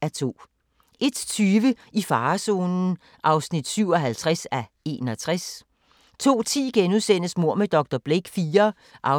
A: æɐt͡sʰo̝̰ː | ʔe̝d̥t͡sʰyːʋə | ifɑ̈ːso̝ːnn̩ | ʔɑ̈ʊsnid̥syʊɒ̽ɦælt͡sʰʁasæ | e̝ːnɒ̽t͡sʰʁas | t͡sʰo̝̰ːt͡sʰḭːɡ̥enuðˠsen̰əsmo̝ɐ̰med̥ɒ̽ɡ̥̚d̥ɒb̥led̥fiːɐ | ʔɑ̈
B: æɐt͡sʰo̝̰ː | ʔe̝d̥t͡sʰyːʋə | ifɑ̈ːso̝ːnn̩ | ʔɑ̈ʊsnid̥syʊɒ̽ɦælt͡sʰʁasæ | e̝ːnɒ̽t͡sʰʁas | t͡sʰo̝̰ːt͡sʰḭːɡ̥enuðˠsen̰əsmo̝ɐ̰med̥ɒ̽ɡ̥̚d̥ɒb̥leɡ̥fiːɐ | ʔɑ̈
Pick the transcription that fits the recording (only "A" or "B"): B